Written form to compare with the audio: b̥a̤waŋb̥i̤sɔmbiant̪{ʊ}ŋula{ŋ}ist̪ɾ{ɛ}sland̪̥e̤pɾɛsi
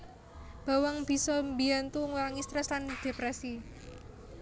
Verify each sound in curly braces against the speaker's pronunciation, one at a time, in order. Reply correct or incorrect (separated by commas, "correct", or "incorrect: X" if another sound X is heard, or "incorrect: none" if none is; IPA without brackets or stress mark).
incorrect: u, correct, correct